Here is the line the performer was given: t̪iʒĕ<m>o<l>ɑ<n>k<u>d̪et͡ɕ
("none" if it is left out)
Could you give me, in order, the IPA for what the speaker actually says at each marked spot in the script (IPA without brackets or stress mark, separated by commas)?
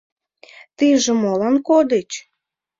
m, l, n, o